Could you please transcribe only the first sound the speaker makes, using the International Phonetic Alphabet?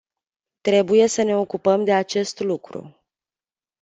t̪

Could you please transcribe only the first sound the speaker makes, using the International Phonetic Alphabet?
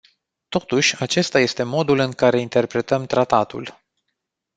t̪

